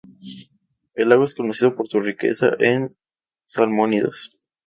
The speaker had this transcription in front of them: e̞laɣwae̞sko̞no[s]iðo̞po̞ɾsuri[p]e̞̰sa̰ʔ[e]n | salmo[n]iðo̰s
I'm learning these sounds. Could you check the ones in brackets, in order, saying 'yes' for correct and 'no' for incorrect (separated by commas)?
yes, no, yes, yes